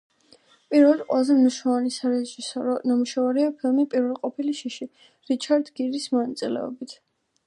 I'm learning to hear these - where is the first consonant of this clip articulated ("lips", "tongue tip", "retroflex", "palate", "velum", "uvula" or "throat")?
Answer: lips